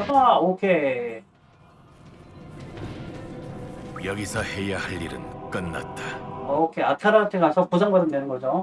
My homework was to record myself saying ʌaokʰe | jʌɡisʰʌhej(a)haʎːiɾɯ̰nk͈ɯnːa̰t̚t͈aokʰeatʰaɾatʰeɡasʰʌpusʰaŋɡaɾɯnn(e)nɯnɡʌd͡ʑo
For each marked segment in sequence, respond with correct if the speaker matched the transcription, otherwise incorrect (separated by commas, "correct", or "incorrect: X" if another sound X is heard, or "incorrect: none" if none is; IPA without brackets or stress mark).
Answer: correct, correct